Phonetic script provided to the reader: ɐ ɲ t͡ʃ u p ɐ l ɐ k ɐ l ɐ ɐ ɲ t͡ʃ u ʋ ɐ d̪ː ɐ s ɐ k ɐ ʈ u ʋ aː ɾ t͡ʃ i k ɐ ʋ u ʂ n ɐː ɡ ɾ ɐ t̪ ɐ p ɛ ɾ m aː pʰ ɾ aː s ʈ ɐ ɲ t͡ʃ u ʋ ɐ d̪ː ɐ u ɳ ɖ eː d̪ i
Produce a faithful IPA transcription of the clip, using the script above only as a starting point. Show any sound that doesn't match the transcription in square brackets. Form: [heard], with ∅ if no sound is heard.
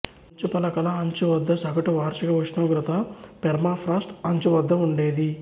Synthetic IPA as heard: ɐ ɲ t͡ʃ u p ɐ l ɐ k ɐ l ɐ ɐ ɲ t͡ʃ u ʋ ɐ d̪ː ɐ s ɐ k ɐ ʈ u ʋ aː ɾ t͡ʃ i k ɐ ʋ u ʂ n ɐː ɡ ɾ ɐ t̪ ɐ p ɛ ɾ m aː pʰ ɾ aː s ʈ ɐ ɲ t͡ʃ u ʋ ɐ d̪ː ɐ u ɳ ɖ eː d̪ i